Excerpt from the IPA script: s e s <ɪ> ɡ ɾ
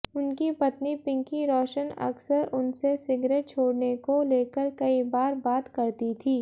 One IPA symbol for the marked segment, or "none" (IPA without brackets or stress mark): ɪ